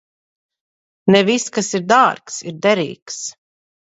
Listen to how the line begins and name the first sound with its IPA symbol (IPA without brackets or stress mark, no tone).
n